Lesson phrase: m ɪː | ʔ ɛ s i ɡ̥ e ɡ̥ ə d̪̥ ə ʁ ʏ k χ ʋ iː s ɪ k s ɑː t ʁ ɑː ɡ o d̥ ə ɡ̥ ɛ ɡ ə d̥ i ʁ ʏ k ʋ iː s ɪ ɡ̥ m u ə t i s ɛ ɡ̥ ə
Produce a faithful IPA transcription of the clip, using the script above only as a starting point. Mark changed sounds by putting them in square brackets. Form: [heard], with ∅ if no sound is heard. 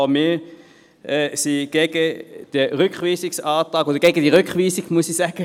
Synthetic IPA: m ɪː | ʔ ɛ s i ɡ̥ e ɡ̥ ə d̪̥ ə ʁ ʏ k χ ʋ iː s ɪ k s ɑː t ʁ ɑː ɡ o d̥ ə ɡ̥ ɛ ɡ ə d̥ i ʁ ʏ k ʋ iː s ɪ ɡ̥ m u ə [s] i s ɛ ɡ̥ ə